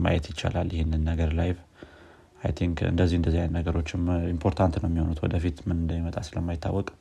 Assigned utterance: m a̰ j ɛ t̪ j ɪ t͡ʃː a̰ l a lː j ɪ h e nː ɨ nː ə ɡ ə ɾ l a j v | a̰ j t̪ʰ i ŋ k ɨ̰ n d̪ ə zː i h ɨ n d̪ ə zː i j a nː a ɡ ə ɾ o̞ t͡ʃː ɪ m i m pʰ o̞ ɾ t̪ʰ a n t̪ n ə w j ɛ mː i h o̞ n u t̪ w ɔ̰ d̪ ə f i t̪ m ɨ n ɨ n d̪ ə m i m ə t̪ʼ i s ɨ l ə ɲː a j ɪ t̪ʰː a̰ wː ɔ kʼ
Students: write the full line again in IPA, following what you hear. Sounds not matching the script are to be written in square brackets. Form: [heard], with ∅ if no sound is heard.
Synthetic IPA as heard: m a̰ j ɛ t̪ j ɪ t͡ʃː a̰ l a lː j ɪ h e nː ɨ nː ə ɡ ə ɾ l a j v | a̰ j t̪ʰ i ŋ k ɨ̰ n d̪ ə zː i h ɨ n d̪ ə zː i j a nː [ə] ɡ ə ɾ o̞ t͡ʃː ɪ m i m pʰ o̞ ɾ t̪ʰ a n t̪ n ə w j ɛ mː i h o̞ n u t̪ w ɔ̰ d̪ ə f i t̪ m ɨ n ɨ n d̪ ə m i m ə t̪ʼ [a] s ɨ l ə [mː] a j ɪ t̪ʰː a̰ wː ɔ kʼ